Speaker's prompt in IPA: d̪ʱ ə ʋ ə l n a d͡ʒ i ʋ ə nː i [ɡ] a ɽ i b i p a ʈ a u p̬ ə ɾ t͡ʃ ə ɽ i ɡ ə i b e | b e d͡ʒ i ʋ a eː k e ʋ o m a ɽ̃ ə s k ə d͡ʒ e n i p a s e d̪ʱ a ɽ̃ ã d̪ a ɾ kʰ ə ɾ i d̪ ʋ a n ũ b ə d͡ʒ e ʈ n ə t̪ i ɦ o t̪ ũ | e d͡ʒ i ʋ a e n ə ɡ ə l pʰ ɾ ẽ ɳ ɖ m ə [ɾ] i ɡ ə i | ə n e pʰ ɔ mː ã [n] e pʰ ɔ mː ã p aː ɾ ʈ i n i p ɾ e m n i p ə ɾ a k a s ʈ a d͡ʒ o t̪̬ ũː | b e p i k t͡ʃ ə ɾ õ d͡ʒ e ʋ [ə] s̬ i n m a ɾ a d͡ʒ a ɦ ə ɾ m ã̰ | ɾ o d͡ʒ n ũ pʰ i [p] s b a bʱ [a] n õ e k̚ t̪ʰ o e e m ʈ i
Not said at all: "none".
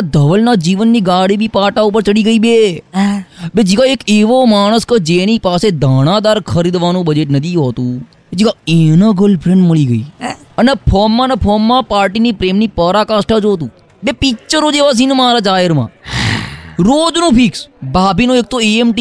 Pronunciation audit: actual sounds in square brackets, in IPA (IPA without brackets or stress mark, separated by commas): ɡ, ɭ, n, a, k, i